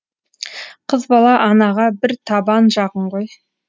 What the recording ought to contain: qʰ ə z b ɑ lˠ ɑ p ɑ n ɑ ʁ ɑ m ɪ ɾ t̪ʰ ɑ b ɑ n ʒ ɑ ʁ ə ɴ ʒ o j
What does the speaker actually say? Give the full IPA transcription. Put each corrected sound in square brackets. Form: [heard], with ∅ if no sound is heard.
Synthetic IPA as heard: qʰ ə z b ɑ lˠ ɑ [ʔ] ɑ n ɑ ʁ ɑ [b] ɪ ɾ t̪ʰ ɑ b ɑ n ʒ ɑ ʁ ə ɴ [ʁ] o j

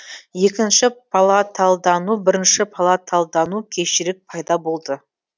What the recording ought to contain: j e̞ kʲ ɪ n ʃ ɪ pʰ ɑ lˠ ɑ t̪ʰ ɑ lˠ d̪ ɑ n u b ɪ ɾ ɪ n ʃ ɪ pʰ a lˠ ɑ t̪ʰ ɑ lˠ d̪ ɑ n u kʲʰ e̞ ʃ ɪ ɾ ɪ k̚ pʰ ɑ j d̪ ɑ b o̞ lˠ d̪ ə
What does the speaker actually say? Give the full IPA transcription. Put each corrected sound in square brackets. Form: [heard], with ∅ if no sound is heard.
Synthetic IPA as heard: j e̞ kʲ ɪ n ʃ ɪ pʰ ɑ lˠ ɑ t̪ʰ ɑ lˠ d̪ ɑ n u b ɪ ɾ ɪ n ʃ ɪ pʰ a lˠ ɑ t̪ʰ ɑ lˠ d̪ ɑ n u kʲʰ e̞ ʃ ɪ ɾ ɪ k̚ pʰ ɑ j d̪ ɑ b o̞ lˠ d̪ ə

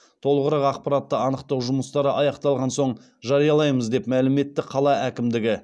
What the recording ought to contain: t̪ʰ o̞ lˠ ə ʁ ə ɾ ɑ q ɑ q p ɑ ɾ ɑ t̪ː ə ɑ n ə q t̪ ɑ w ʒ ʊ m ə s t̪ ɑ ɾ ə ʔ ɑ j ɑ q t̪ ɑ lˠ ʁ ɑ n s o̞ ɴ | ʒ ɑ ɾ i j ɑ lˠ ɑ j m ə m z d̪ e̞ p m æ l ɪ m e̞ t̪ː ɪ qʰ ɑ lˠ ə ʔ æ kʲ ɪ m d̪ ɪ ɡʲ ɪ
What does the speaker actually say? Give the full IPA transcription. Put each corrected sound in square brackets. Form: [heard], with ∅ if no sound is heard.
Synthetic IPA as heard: t̪ʰ o̞ lˠ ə ʁ ə ɾ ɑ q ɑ q p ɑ ɾ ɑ t̪ː ə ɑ n ə q t̪ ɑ w ʒ ʊ m ə s t̪ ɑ ɾ ə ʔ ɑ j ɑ q t̪ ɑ lˠ ʁ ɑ n s o̞ ɴ | ʒ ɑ ɾ i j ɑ lˠ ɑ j m ə [∅] z d̪ e̞ p m æ l ɪ m e̞ t̪ː ɪ qʰ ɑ lˠ [ɑ] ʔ æ kʲ ɪ m d̪ ɪ ɡʲ ɪ

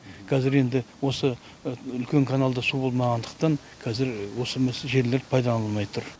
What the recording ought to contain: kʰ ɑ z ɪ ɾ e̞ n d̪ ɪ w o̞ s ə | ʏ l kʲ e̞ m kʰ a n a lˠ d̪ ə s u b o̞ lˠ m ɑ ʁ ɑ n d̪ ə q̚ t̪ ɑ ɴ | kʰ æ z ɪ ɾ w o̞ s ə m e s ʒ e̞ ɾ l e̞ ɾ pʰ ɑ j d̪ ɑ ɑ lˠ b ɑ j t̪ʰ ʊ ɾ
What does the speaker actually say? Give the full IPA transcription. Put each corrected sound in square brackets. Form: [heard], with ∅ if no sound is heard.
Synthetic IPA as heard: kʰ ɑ z ɪ ɾ e̞ n d̪ ɪ w o̞ s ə | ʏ l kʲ e̞ [ŋ] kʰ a n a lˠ d̪ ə s u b o̞ lˠ m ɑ ʁ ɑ n d̪ ə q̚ t̪ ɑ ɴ | kʰ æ z ɪ ɾ w o̞ s ə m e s ʒ e̞ ɾ l e̞ ɾ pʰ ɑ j d̪ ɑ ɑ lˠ [m] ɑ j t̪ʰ ʊ ɾ

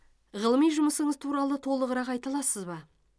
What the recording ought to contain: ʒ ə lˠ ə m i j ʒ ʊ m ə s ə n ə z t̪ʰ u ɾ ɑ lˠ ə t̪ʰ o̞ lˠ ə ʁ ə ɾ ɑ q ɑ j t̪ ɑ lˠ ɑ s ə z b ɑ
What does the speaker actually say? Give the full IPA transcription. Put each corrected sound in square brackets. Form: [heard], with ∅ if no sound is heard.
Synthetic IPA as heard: [ʁ] ə lˠ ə m i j ʒ ʊ m ə s ə [ɴ] ə z t̪ʰ u ɾ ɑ lˠ ə t̪ʰ o̞ lˠ ə ʁ ə ɾ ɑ q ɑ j t̪ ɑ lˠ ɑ s ə z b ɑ

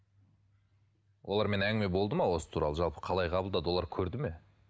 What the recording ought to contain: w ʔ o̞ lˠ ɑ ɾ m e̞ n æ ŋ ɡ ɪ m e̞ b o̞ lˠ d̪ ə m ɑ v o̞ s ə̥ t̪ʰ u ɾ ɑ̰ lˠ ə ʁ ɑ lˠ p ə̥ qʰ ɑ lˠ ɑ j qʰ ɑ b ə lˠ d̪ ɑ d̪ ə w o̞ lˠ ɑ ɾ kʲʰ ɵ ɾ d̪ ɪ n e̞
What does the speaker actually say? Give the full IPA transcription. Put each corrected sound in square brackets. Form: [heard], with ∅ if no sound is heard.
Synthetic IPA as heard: w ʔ o̞ lˠ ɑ ɾ m e̞ n æ ŋ ɡ ɪ m e̞ b o̞ lˠ d̪ ə m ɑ [w] o̞ s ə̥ t̪ʰ u ɾ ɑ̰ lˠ ə [ʒ] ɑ lˠ p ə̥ qʰ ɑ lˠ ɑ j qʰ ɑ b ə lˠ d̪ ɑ d̪ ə w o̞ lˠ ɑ ɾ kʲʰ ɵ ɾ d̪ ɪ [m] e̞

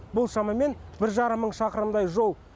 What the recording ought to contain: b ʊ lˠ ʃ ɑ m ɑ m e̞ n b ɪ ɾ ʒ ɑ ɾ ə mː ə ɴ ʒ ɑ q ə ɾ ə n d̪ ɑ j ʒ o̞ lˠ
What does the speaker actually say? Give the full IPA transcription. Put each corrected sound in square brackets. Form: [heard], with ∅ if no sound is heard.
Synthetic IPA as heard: b ʊ lˠ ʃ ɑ m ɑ m e̞ n b ɪ ɾ ʒ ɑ ɾ ə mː ə ɴ [ʃ] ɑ q ə ɾ ə [m] d̪ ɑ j ʒ o̞ lˠ

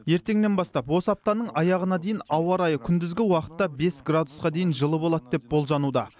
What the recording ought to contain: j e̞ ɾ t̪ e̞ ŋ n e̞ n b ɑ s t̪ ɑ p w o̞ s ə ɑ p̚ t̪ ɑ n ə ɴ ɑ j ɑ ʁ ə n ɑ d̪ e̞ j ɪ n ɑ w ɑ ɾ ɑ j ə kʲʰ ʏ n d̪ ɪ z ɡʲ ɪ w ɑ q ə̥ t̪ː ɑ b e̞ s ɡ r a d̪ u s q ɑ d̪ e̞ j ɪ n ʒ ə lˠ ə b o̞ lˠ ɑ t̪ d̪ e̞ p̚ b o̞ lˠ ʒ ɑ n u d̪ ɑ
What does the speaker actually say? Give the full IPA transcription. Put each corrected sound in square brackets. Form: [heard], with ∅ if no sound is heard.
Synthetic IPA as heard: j e̞ ɾ t̪ e̞ ŋ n e̞ n b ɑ s t̪ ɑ p w o̞ s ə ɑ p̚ t̪ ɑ n ə ɴ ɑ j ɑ ʁ ə n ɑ d̪ e̞ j ɪ n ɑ w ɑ ɾ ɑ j ə kʲʰ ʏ n d̪ ɪ z ɡʲ ɪ w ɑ q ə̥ t̪ː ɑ b e̞ s ɡ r a d̪ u s q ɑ d̪ e̞ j ɪ n ʒ ə lˠ ə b o̞ lˠ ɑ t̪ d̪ e̞ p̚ b o̞ lˠ ʒ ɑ n u d̪ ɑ

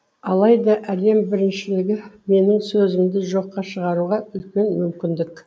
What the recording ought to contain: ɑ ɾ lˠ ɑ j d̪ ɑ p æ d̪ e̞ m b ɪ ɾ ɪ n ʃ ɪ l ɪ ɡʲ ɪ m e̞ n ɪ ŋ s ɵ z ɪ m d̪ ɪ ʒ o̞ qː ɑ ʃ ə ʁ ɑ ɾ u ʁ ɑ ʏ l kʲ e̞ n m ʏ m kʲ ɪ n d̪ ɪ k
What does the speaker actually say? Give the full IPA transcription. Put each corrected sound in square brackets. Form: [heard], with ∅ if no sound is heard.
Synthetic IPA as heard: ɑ [∅] lˠ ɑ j d̪ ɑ [ʔ] æ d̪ e̞ m b ɪ ɾ ɪ n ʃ ɪ l ɪ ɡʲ ɪ m e̞ n ɪ ŋ s ɵ z ɪ m d̪ ɪ ʒ o̞ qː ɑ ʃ ə ʁ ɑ ɾ u ʁ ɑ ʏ l kʲ e̞ n m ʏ m kʲ ɪ n d̪ ɪ k

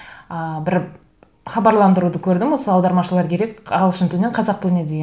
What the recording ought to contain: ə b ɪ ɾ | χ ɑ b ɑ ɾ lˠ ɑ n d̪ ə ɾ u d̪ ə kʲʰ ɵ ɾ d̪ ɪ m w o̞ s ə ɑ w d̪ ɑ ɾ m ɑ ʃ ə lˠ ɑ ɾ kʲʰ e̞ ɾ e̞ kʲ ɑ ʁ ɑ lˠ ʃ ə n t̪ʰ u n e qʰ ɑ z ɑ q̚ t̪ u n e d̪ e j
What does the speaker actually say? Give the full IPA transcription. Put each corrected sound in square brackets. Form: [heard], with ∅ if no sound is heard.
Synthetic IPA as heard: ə b ɪ ɾ | χ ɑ b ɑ ɾ lˠ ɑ n d̪ ə ɾ u d̪ ə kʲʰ ɵ ɾ d̪ ɪ m w o̞ s ə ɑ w d̪ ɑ ɾ m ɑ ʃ ə lˠ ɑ ɾ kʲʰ e̞ ɾ e̞ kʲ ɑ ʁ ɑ lˠ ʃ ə n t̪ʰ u n e qʰ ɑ z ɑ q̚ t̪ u n e d̪ e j

